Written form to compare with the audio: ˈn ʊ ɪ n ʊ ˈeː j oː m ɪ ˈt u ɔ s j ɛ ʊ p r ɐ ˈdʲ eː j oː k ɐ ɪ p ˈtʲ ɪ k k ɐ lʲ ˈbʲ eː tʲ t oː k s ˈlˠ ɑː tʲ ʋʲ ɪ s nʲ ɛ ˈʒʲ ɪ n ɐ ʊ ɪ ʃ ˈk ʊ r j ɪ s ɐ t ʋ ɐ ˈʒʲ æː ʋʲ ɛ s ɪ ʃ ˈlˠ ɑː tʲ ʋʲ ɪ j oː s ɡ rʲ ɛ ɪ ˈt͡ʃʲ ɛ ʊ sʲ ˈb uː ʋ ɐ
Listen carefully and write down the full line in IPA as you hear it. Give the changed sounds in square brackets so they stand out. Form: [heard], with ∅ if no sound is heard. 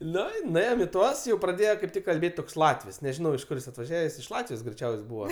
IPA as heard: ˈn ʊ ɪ n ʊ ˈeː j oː m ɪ ˈt u ɔ s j ɛ ʊ p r ɐ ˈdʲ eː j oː k ɐ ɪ p ˈtʲ ɪ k k ɐ lʲ ˈbʲ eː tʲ t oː k s ˈlˠ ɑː tʲ ʋʲ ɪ s nʲ ɛ ˈʒʲ ɪ n ɐ ʊ ɪ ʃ ˈk ʊ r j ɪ s ɐ t ʋ ɐ ˈʒʲ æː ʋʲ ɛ s ɪ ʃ ˈlˠ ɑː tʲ ʋʲ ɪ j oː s ɡ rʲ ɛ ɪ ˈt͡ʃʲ ɛ ʊ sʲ ˈb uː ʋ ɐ